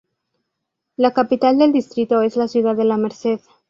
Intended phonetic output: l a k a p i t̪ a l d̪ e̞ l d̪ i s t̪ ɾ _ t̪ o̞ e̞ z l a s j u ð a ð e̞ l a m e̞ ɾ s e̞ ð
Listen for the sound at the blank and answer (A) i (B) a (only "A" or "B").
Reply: A